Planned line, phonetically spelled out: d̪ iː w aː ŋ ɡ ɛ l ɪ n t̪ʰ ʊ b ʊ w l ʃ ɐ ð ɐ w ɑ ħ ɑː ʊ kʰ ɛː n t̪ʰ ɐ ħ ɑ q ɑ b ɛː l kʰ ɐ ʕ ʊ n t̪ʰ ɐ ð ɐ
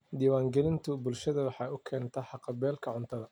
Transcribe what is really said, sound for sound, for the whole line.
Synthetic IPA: d̪ iː w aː ŋ ɡ ɛ l ɪ n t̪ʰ ʊ b ʊ l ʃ ɐ ð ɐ w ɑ ħ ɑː ʊ kʰ ɛː n t̪ʰ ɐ ħ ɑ q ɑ b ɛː l kʰ ɐ ʕ ʊ n t̪ʰ ɐ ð ɐ